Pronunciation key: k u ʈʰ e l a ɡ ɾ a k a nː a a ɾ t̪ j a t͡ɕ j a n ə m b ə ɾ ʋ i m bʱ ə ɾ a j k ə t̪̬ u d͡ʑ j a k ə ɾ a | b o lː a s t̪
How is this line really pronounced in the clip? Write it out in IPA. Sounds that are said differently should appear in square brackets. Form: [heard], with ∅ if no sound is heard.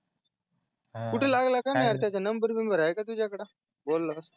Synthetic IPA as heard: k u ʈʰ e l a ɡ [l] a k a [n] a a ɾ t̪ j a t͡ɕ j a n ə m b ə ɾ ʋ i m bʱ ə ɾ a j k [a] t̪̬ u d͡ʑ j a k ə [ɽ] a | b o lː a s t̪